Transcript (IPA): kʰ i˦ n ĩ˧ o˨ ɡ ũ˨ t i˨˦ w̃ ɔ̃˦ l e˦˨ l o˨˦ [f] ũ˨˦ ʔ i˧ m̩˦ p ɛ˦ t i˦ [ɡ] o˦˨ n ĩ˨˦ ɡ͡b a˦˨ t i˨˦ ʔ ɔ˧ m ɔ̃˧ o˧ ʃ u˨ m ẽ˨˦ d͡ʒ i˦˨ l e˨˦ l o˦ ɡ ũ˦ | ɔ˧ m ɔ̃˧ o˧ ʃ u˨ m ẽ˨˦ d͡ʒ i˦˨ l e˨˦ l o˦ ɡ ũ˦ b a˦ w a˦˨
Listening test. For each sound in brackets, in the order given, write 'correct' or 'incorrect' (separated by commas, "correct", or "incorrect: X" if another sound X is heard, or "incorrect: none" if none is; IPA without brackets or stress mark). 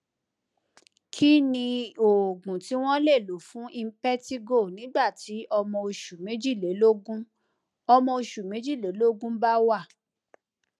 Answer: correct, correct